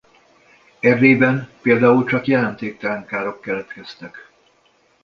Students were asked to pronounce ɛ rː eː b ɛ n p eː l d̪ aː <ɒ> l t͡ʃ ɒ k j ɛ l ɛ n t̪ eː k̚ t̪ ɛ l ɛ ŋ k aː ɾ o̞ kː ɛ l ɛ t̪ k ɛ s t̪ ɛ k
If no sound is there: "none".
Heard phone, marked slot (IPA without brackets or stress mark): u